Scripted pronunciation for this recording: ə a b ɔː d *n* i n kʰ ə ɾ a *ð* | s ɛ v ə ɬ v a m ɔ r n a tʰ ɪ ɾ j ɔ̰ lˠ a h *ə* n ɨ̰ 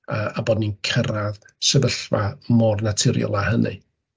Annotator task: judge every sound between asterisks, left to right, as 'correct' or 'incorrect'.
correct, correct, correct

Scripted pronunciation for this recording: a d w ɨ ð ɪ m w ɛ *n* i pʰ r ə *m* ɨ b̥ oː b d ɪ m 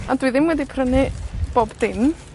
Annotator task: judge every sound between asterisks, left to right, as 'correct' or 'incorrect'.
incorrect: d, incorrect: n

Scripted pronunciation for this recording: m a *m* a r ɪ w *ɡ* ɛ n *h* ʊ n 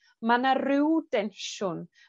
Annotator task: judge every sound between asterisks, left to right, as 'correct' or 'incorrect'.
incorrect: n, incorrect: d, incorrect: ʃ

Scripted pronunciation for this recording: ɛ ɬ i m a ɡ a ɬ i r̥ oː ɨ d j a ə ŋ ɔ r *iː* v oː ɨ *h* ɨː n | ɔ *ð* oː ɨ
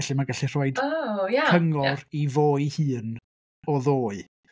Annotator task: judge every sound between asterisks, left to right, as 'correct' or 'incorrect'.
incorrect: i, correct, correct

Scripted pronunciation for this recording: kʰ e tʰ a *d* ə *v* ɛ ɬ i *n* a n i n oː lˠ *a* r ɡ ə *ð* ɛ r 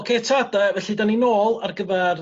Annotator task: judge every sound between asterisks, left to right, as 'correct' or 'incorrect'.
correct, correct, incorrect: d, correct, incorrect: v

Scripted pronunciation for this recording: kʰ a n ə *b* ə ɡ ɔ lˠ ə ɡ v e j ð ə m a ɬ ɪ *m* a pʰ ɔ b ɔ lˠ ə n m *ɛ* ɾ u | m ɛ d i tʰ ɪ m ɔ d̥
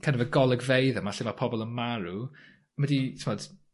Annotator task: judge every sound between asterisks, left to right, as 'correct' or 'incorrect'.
incorrect: v, correct, incorrect: a

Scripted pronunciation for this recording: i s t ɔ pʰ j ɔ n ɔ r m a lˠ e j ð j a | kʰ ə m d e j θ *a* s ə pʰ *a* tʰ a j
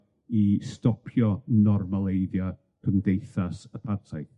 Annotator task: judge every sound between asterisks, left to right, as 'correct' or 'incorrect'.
correct, correct

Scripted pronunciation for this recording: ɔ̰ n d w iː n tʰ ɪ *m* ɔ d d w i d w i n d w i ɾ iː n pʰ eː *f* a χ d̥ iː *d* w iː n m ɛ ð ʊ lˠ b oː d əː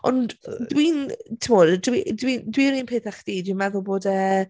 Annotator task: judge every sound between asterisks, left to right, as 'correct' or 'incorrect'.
correct, incorrect: θ, correct

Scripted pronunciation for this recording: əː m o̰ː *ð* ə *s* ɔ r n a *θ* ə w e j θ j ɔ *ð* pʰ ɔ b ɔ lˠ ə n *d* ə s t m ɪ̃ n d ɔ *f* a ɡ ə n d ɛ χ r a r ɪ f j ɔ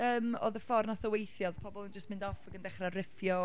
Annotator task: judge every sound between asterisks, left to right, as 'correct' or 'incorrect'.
correct, incorrect: f, correct, correct, incorrect: d͡ʒ, correct

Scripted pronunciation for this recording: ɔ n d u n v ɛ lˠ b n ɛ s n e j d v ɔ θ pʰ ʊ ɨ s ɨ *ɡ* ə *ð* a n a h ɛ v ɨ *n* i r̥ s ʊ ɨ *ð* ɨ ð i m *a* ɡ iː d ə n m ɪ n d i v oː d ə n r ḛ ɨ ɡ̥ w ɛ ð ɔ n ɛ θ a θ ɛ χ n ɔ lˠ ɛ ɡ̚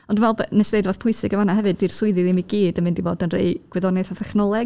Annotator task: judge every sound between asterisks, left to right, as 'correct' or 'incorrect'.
correct, incorrect: v, incorrect: d, correct, incorrect: i

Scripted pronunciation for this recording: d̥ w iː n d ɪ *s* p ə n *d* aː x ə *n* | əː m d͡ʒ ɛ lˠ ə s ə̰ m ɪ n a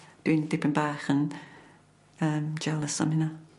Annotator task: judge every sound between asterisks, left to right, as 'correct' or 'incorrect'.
incorrect: none, incorrect: b, correct

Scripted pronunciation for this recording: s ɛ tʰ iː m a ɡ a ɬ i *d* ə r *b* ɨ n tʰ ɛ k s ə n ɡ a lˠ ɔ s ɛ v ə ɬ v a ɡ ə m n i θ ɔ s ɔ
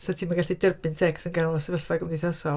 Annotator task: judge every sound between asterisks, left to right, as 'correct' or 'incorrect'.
correct, correct

